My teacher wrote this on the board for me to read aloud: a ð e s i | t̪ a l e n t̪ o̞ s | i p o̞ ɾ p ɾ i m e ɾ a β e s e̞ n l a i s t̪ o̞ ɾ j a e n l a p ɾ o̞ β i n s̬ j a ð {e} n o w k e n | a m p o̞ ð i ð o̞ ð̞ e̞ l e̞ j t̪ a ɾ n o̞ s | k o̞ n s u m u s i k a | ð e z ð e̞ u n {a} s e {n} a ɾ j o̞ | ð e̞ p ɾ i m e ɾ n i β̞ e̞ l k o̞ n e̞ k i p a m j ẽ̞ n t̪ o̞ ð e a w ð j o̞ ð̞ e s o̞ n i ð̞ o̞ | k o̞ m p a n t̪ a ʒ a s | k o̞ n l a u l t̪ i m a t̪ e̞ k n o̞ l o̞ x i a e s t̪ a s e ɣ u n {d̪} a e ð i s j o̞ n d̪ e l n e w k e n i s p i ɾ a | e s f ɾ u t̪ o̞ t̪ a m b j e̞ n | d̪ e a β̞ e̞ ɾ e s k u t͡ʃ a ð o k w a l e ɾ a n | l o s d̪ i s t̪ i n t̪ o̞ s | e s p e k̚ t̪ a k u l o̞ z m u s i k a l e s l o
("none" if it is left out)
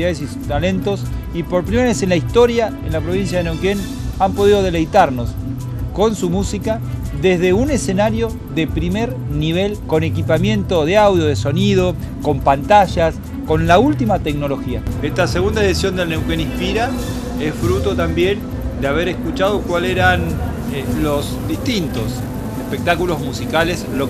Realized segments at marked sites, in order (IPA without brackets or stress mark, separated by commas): e, e, n, d̪